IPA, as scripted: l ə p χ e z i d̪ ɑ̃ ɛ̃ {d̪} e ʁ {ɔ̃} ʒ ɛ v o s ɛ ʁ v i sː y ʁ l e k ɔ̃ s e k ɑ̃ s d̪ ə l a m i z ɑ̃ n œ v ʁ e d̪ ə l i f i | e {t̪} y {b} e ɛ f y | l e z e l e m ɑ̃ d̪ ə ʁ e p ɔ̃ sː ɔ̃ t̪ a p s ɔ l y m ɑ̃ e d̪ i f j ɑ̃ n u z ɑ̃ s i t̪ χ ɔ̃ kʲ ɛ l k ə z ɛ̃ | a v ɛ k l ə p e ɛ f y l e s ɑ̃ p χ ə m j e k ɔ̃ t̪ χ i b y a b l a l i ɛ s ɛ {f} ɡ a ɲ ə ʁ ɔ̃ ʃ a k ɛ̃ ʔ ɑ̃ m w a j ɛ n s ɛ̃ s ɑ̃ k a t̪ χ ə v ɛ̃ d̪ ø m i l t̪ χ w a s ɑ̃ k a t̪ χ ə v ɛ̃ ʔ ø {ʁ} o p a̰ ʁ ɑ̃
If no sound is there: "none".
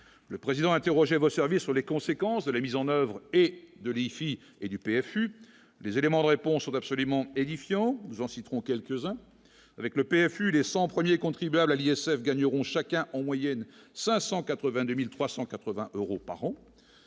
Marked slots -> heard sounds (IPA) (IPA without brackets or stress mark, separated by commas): t̪, ɔ, d̪, p, f, ʁ